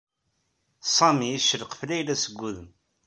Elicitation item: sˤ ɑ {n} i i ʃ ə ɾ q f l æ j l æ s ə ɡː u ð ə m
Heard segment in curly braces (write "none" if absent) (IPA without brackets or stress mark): m